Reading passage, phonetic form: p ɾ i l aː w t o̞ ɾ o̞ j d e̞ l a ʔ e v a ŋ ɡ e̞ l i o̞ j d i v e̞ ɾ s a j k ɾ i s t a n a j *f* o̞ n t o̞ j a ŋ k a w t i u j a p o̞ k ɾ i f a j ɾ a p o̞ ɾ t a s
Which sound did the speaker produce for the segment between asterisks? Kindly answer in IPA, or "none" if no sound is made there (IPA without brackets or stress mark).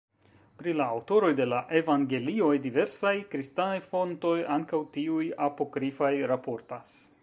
f